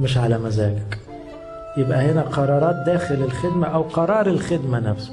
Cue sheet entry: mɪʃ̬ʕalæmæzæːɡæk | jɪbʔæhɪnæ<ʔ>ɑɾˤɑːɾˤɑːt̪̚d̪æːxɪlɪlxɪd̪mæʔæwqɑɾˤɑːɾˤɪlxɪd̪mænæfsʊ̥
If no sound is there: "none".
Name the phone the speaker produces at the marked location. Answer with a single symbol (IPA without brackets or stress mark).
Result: q